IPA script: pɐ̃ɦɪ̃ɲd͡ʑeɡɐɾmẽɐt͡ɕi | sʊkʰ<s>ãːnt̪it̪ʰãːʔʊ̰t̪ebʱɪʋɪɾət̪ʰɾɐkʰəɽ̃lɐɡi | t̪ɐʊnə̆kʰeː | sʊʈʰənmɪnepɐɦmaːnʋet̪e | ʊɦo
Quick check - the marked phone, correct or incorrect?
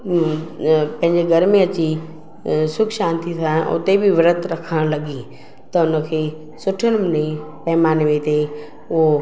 incorrect